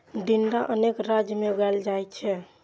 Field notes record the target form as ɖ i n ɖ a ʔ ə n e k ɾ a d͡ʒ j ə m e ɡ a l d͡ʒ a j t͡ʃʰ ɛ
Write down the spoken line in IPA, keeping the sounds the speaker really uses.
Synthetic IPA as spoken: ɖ i n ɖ a ʔ ə n e k ɾ a d͡ʒ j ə m e ɡ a l d͡ʒ a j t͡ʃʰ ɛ